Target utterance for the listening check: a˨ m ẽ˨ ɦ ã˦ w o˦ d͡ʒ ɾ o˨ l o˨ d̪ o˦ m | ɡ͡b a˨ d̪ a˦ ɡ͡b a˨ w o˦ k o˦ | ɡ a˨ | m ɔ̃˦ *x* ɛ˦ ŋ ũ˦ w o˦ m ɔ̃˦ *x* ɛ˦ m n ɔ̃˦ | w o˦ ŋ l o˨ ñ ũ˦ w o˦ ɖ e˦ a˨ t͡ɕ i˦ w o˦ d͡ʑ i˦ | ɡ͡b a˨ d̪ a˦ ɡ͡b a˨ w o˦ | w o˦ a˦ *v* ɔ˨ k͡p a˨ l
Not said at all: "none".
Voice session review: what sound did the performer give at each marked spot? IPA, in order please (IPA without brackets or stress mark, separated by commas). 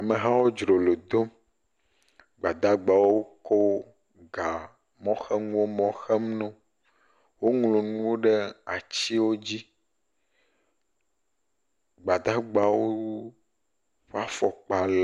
x, x, f